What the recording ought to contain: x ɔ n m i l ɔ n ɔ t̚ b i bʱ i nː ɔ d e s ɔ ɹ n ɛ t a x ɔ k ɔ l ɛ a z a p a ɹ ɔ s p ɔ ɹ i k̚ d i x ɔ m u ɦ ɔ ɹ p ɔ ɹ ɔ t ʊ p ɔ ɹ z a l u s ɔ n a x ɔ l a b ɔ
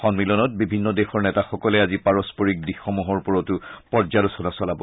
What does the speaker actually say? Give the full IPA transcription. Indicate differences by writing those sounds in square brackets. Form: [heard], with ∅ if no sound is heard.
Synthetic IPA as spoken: x ɔ n m i l ɔ n ɔ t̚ b i bʱ i nː ɔ d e [x] ɔ ɹ n ɛ t a x ɔ k ɔ l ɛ a z [i] p a ɹ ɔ s p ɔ ɹ i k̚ d i x ɔ m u ɦ ɔ ɹ p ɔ ɹ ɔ t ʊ p ɔ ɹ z a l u s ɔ n a [s] ɔ l a b ɔ